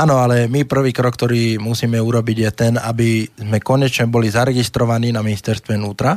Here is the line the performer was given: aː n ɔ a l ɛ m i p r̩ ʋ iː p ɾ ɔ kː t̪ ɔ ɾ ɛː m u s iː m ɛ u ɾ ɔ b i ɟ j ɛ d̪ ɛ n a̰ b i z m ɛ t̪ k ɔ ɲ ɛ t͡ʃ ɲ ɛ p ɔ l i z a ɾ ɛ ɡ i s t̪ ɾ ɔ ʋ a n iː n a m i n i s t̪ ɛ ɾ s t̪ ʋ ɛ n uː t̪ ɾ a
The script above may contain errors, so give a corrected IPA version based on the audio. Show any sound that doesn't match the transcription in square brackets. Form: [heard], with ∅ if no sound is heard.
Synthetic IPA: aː n ɔ a l ɛ m i p r̩ ʋ iː [k] ɾ ɔ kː t̪ ɔ ɾ [iː] m u s iː m ɛ u ɾ ɔ b i ɟ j ɛ [t̪] ɛ n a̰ b i z m ɛ [∅] k ɔ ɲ ɛ t͡ʃ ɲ ɛ [b] ɔ l i z a ɾ ɛ ɡ i s t̪ ɾ ɔ ʋ a n iː n a m i n i s t̪ ɛ ɾ s t̪ ʋ ɛ n uː t̪ ɾ a